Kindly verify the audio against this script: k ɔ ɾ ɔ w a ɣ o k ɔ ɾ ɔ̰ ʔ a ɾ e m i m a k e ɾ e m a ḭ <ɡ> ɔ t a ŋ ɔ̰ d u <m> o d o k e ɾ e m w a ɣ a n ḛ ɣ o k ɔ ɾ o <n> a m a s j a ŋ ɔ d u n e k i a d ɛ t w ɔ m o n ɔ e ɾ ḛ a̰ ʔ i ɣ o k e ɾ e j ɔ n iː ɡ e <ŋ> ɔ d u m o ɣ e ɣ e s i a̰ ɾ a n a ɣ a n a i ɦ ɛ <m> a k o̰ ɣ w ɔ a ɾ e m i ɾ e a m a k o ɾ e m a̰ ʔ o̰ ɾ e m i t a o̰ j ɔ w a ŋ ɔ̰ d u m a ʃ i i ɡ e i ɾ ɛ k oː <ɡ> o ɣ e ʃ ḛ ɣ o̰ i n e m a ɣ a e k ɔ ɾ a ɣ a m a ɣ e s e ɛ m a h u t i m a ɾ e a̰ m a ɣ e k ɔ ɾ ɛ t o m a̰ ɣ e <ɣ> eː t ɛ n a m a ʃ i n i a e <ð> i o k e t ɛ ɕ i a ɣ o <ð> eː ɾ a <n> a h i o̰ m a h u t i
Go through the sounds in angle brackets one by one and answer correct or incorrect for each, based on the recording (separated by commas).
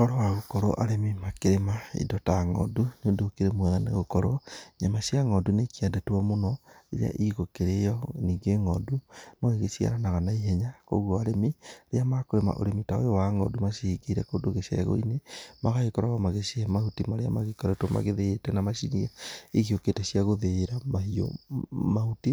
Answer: incorrect, incorrect, incorrect, correct, incorrect, incorrect, incorrect, incorrect, correct, incorrect